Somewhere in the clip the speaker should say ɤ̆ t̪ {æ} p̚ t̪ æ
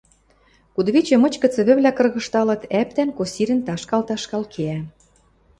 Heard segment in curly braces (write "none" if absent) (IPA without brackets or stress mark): æ